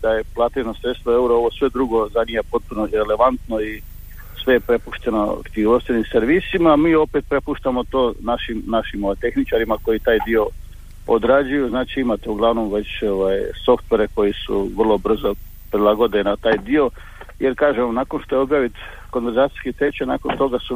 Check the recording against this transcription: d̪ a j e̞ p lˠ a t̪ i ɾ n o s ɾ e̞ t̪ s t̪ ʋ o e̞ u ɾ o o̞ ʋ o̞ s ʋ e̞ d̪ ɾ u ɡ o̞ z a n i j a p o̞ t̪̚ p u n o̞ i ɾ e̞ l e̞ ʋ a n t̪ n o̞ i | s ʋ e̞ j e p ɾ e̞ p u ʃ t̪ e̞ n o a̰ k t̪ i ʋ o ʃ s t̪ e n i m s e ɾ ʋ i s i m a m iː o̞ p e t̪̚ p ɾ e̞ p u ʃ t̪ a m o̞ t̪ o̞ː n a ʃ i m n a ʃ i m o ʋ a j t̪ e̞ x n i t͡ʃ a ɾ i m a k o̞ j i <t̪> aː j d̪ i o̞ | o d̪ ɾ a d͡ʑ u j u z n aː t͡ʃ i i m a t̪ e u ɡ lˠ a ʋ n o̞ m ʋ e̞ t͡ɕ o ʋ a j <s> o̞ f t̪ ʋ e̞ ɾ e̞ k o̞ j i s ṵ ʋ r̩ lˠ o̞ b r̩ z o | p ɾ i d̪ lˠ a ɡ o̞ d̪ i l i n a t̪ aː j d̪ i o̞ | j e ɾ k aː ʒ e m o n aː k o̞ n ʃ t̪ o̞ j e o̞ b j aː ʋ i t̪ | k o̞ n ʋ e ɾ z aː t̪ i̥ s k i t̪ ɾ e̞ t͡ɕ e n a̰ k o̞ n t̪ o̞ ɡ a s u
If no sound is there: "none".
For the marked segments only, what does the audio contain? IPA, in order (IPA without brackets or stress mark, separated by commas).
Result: t̪, s